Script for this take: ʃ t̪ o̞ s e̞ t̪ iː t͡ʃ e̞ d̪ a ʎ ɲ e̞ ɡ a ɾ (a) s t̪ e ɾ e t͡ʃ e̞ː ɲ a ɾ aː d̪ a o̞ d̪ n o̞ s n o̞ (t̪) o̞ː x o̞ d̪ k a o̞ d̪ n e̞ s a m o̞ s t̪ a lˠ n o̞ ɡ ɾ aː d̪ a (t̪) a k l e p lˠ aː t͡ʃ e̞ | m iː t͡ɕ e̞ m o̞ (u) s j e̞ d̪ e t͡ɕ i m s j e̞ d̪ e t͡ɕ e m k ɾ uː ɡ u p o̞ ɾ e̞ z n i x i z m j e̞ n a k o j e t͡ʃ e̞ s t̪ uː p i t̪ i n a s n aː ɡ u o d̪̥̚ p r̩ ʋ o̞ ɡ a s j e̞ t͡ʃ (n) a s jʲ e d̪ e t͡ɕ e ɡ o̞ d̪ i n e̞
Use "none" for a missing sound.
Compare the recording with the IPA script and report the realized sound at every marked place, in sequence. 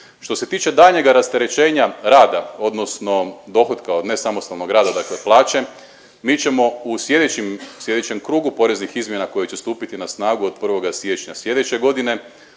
a, d̪, d̪, u, ɲ

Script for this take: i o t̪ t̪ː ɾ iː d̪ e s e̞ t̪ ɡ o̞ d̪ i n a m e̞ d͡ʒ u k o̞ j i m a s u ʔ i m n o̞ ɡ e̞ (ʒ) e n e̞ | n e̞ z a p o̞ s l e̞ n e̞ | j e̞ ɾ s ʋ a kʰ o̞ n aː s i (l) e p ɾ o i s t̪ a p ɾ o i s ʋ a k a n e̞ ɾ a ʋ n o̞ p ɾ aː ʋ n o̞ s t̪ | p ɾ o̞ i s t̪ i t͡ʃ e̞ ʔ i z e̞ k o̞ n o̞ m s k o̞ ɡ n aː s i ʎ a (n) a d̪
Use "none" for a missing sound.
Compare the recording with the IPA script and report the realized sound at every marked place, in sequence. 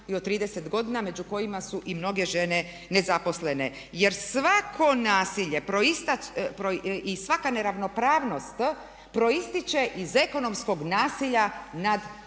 ʒ, ʎ, n

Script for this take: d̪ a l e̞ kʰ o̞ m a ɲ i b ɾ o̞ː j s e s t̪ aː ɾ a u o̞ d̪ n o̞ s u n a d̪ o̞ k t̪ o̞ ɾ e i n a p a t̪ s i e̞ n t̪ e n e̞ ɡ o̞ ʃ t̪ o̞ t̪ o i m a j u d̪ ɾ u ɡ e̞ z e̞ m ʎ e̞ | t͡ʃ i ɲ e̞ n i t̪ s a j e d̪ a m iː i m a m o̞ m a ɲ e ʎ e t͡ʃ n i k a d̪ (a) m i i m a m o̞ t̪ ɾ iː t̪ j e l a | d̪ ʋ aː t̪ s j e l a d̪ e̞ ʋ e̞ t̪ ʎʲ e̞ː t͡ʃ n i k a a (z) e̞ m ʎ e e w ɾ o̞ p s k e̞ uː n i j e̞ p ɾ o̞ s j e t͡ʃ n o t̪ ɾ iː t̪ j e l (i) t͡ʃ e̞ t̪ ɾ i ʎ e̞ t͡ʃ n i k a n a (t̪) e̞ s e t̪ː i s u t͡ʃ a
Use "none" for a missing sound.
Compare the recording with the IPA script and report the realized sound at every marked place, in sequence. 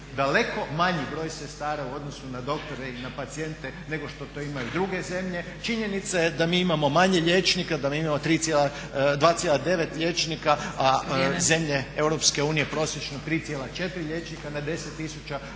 a, z, a, d̪

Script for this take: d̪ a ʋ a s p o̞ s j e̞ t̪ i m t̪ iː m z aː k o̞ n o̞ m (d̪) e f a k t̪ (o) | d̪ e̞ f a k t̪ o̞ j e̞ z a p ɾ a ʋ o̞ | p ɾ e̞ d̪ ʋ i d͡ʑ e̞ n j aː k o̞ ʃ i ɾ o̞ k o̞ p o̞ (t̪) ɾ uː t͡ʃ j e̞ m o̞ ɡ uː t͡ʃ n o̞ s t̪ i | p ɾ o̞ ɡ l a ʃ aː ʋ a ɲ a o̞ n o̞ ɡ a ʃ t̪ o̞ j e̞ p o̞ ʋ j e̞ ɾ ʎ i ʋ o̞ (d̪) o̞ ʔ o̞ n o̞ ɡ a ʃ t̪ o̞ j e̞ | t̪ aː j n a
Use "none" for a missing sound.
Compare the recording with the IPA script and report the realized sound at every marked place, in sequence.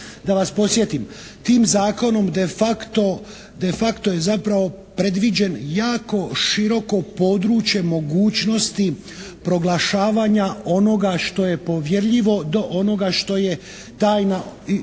d̪, o, d̪, d̪

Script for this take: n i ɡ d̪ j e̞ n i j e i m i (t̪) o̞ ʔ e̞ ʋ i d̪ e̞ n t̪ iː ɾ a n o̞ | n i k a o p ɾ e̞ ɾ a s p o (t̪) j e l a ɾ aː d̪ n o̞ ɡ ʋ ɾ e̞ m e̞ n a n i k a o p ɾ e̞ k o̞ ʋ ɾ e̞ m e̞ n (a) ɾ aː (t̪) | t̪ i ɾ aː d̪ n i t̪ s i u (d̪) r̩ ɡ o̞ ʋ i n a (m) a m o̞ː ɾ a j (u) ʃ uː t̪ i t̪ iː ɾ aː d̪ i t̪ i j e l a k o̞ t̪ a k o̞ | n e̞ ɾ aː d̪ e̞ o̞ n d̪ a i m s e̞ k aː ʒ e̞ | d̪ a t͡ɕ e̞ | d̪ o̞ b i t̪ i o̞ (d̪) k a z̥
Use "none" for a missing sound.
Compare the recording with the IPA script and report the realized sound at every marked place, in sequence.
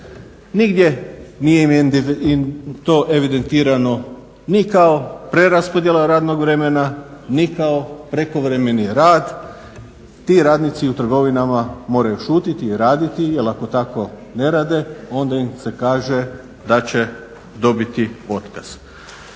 t̪, d̪, i, d̪, t̪, m, u, t̪

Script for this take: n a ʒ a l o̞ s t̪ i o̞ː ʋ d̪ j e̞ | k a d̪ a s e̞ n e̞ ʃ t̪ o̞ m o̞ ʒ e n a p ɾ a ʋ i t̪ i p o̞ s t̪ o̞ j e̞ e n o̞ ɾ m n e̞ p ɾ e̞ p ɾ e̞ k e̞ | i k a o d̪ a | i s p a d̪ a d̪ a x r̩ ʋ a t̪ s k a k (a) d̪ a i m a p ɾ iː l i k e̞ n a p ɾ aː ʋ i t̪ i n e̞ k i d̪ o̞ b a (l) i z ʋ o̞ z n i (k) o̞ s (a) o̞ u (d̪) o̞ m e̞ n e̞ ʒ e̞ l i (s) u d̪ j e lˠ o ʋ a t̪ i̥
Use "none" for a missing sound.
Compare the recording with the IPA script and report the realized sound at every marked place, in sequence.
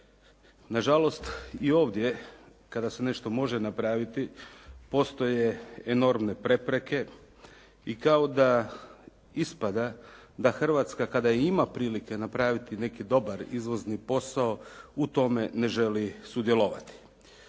a, ɾ, p, a, t̪, s

